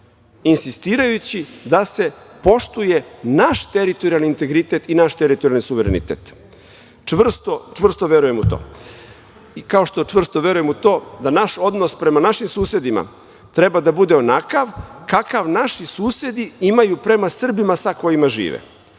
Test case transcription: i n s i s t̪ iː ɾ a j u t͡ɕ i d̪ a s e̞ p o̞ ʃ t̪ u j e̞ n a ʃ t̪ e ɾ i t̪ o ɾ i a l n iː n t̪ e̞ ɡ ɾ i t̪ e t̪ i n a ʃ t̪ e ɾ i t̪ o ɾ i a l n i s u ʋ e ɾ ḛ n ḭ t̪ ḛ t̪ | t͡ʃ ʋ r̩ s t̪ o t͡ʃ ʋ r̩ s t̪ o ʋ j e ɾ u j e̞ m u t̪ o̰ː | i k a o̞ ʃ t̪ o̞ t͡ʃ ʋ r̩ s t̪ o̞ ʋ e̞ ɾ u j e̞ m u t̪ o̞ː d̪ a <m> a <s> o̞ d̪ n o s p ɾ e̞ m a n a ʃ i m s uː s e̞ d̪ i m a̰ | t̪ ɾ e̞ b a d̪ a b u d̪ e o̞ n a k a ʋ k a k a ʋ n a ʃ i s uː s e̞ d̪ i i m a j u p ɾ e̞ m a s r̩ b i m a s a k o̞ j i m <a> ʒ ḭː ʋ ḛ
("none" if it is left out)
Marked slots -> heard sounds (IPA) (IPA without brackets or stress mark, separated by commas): n, ʃ, a